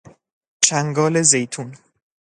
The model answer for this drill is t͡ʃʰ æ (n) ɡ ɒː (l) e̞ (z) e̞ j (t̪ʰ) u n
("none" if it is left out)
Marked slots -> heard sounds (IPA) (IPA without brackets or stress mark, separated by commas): ŋ, l, z, t̪ʰ